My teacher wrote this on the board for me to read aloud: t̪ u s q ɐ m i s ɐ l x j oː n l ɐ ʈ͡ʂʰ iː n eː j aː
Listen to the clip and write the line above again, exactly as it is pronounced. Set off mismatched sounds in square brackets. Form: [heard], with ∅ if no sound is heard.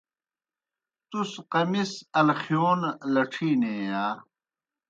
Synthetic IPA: t̪ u s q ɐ m i s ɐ l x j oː n l ɐ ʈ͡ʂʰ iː n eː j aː